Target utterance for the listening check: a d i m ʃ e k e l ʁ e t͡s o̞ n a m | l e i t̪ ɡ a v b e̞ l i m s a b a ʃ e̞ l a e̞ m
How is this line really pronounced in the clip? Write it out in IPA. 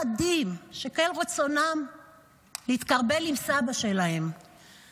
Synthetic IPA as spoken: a d i m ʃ e k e l ʁ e t͡s o̞ n a m | l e i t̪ k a ʁ b e̞ l i m s a b a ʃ e̞ l a e̞ m